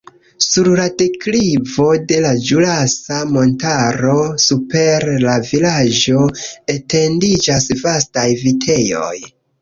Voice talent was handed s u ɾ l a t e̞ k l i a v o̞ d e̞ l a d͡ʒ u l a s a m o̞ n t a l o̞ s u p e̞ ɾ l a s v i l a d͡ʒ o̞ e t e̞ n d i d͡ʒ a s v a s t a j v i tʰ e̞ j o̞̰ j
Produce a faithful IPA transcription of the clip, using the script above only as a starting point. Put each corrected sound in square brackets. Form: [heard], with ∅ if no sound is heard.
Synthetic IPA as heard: s u ɾ l a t e̞ k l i [i] v o̞ d e̞ l a d͡ʒ u l a s a m o̞ n t a [ɾ] o̞ s u p e̞ ɾ l a [∅] v i l a d͡ʒ o̞ e t e̞ n d i d͡ʒ a s v a s t a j v i tʰ e̞ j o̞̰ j